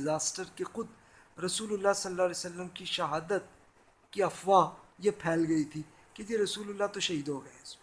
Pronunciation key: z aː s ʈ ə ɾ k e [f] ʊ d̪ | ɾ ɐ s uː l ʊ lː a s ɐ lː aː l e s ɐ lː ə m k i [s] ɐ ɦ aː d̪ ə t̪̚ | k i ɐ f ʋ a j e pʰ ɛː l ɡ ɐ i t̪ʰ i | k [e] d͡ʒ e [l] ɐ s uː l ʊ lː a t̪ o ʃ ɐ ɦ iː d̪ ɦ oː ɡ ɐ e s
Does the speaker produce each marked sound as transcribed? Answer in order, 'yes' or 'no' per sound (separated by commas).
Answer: no, no, yes, no